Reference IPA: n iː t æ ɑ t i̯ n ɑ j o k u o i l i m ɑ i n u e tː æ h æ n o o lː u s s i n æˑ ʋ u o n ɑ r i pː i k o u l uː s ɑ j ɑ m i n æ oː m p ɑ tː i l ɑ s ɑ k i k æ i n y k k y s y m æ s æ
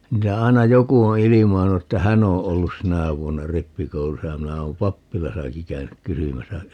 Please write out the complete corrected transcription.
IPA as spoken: n iː t æ ɑ i̯ n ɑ j o k u o i l i m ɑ i n u e tː æ h æ n o o lː u s s i n æˑ ʋ u o nː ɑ r i pː i k o u l u s ɑ j ɑ m i n æ oː m p ɑ pː i l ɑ s ɑ k i k æ y n y k k y s y m æ s æ